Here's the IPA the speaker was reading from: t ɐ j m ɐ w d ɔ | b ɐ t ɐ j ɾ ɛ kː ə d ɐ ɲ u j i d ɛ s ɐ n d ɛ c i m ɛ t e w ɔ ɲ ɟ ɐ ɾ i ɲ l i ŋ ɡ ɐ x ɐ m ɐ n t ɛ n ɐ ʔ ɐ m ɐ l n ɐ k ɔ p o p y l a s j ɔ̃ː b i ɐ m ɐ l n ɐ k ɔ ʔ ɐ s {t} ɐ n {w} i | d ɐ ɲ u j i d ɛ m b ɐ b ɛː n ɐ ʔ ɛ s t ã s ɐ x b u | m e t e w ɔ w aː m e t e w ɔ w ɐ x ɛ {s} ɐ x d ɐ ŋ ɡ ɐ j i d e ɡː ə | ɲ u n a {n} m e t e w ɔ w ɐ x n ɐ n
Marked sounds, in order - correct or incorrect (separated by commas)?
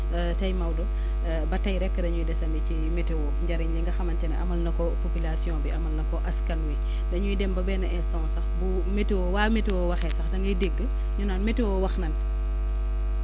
incorrect, correct, correct, correct